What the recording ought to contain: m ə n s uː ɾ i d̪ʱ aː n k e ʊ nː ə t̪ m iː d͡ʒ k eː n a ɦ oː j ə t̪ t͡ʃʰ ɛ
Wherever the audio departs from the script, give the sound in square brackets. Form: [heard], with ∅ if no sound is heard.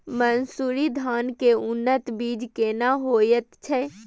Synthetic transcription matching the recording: m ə n s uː ɾ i d̪ʱ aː n k e ʊ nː ə t̪ [b] iː d͡ʒ k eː n a ɦ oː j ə t̪ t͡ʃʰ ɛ